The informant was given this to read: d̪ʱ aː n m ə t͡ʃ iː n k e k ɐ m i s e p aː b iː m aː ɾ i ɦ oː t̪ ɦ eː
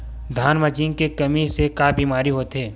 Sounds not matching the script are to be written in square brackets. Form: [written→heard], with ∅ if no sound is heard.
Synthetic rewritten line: d̪ʱ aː n m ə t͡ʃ iː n k e k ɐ m i s e [p→k] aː b iː m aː ɾ i ɦ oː t̪ ɦ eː